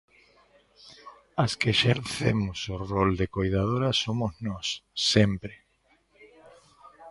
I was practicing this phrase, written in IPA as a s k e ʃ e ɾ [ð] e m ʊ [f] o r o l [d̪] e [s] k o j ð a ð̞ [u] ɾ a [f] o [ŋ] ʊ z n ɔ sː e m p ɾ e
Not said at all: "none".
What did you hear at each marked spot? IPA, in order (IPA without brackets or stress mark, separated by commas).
θ, s, d̪, none, o, s, m